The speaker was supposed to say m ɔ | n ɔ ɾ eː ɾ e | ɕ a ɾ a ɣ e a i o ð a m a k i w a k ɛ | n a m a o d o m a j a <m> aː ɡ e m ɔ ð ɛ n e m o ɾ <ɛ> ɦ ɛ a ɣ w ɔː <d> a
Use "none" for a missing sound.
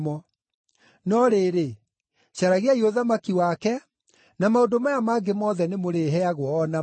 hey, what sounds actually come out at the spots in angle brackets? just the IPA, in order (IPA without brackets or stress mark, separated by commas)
m, e, n